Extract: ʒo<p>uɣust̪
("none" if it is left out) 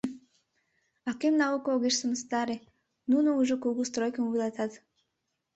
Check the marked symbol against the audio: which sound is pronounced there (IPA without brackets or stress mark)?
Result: k